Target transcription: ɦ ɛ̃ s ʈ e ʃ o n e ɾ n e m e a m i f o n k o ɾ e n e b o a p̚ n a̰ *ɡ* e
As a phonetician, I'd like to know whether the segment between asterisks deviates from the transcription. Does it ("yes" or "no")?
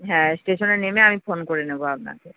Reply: yes